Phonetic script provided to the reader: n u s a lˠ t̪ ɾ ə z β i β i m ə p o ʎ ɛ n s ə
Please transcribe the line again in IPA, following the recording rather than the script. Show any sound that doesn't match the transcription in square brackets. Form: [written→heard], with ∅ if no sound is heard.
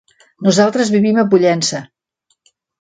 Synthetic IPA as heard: n u [s→z] a lˠ t̪ ɾ ə z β i β i m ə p [o→u] ʎ ɛ n s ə